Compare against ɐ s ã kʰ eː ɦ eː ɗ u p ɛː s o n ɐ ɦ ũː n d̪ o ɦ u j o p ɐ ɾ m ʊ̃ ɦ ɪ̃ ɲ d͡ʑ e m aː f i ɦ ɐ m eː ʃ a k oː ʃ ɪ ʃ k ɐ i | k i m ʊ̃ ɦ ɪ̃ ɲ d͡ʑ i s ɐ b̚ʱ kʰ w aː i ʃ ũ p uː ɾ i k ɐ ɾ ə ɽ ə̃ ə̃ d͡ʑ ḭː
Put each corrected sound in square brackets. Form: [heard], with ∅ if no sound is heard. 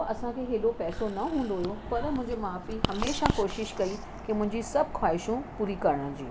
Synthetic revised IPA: ɐ s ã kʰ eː ɦ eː ɗ [o] p ɛː s o n ɐ ɦ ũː n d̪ o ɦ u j o p ɐ ɾ m ʊ̃ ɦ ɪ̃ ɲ d͡ʑ e m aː f i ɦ ɐ m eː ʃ a k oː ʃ ɪ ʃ k ɐ i | k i m ʊ̃ ɦ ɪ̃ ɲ d͡ʑ i s ɐ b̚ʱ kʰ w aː [ɪ] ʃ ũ p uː ɾ i k ɐ ɾ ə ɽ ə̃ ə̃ d͡ʑ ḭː